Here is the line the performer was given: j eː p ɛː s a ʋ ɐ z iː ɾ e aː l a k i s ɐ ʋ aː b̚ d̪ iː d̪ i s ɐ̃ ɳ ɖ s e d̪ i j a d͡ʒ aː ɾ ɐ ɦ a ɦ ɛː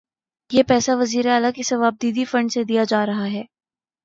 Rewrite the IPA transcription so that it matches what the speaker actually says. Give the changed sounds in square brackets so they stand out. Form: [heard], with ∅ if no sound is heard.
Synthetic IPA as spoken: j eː p ɛː s a ʋ ɐ z iː ɾ e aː l a k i s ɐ ʋ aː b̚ d̪ iː d̪ i [f] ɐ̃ ɳ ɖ s e d̪ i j a d͡ʒ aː ɾ ɐ ɦ a ɦ ɛː